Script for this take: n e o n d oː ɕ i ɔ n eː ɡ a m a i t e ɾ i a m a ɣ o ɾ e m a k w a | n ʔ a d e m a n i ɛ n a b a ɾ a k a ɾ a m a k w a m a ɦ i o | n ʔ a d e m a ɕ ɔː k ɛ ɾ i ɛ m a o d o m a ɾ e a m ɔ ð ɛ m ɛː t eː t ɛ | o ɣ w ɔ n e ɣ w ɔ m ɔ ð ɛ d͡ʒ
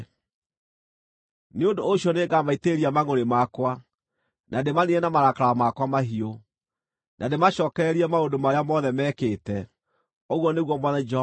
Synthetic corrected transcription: n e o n d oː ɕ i ɔ n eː ɡ a m a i t e ɾ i a m a ɣ o ɾ e m a k w a | n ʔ a d e m a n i ɛ n a m a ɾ a k a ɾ a m a k w a m a ɦ i o | n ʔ a d e m a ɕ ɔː k ɛ ɾ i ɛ m a o d o m a ɾ e a m ɔ ð ɛ m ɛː k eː t ɛ | o ɣ w ɔ n e ɣ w ɔ m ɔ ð ɛ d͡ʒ